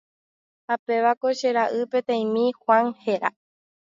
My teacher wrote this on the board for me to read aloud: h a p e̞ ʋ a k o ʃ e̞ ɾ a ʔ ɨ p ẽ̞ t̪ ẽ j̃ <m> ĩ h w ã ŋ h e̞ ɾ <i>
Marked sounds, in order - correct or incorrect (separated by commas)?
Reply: correct, incorrect